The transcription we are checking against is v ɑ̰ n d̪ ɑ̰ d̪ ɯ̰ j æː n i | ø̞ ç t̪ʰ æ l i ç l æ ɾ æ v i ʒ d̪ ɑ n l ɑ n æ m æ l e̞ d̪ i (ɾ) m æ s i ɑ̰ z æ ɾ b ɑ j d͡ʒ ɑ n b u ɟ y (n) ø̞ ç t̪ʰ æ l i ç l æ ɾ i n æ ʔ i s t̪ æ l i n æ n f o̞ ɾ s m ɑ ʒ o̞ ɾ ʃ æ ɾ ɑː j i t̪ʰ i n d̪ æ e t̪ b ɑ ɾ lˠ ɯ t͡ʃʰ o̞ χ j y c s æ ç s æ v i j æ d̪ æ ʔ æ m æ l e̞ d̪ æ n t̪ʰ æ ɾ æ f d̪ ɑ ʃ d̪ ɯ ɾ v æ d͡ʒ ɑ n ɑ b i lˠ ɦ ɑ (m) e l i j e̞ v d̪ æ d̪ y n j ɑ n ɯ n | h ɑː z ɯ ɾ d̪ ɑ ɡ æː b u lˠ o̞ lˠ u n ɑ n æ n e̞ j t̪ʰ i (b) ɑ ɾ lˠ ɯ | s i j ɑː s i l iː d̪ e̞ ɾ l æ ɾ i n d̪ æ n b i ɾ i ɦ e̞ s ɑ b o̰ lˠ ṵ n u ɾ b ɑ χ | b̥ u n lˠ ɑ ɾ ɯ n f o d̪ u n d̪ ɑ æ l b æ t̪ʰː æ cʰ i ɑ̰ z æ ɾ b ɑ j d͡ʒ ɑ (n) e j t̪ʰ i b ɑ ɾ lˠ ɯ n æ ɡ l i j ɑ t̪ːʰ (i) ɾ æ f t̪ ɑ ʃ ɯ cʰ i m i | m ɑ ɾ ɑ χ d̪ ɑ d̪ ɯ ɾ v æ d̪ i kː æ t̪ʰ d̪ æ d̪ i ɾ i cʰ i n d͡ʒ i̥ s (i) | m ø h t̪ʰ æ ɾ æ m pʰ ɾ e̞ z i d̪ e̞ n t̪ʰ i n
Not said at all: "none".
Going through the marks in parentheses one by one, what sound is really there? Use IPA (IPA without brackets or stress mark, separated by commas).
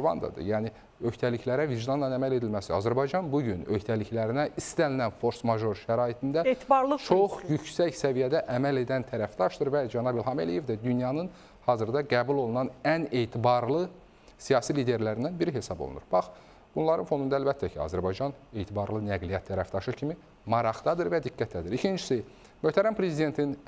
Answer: l, n, m, b, n, æ, i